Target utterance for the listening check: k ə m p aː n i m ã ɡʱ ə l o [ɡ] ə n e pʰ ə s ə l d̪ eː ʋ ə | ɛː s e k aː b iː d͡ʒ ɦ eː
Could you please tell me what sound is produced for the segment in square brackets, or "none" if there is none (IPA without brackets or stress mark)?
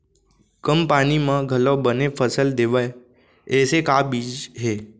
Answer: b